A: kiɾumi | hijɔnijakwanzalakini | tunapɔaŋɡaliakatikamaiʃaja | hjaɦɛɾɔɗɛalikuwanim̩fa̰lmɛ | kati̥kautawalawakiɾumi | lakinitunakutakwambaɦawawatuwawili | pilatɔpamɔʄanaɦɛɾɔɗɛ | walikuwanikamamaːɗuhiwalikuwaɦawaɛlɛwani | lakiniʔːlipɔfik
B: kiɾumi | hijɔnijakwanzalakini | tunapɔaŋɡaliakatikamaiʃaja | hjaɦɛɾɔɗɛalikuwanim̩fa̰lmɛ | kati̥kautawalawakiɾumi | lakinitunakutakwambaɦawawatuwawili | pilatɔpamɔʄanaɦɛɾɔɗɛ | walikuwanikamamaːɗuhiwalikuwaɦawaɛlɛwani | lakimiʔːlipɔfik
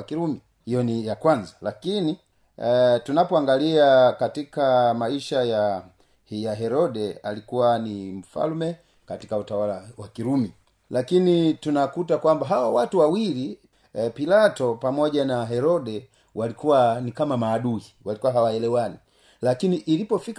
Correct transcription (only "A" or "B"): A